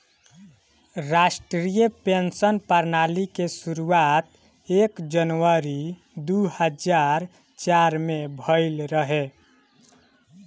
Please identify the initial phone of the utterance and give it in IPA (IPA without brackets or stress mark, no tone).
ɾ